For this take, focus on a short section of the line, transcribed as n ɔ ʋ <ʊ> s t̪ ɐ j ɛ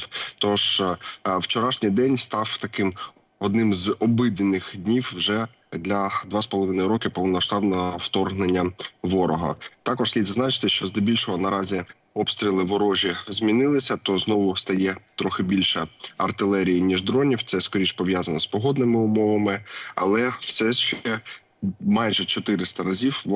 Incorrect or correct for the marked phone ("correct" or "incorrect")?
correct